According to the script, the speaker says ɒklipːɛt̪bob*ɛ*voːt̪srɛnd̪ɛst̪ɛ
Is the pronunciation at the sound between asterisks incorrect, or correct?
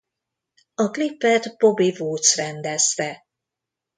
incorrect: i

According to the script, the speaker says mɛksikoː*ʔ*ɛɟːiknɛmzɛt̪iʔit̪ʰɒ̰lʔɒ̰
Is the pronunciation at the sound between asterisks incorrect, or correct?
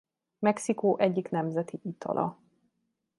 correct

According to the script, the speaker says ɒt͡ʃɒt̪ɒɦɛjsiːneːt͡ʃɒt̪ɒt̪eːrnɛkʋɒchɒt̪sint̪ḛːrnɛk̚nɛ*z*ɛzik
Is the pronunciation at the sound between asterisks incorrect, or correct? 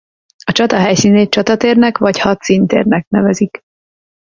incorrect: v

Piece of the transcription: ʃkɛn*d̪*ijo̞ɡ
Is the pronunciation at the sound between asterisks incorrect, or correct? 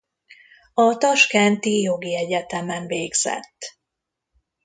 incorrect: t̪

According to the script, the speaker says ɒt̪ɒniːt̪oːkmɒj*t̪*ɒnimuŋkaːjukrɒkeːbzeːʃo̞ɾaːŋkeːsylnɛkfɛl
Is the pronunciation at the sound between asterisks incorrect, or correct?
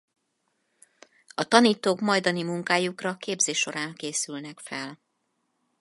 incorrect: d̪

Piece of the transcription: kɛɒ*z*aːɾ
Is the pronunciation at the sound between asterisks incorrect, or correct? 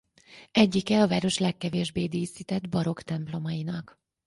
incorrect: v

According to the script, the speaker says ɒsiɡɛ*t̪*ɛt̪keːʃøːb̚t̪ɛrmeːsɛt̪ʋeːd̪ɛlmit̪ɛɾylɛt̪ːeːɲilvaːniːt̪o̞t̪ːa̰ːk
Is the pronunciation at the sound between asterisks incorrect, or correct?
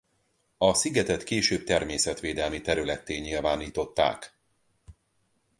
correct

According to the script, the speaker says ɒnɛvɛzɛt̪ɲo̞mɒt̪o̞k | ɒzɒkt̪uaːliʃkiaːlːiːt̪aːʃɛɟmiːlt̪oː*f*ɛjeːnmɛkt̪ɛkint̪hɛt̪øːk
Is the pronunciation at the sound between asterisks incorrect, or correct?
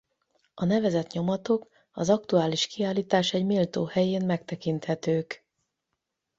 incorrect: h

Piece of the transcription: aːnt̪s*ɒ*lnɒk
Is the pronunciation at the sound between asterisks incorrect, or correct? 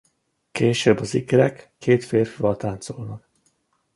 incorrect: o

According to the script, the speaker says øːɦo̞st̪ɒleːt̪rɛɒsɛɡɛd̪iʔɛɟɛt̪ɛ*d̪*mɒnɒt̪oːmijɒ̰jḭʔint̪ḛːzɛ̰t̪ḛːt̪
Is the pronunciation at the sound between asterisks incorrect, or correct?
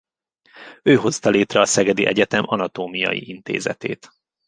incorrect: none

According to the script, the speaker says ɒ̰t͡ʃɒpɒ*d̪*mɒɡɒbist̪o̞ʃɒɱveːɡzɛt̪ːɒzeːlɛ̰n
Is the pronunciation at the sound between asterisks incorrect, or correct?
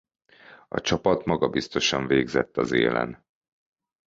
incorrect: t̪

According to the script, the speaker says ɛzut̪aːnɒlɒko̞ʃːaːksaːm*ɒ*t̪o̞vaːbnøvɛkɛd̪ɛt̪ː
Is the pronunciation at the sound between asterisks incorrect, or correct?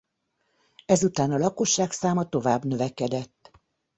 correct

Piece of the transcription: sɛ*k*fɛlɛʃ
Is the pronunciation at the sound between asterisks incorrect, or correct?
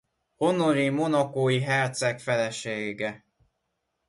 correct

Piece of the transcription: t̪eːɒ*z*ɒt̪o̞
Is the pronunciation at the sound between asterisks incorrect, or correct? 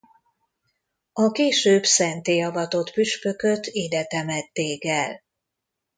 incorrect: v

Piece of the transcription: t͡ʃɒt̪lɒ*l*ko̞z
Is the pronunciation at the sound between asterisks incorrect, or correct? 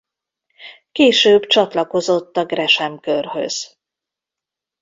incorrect: none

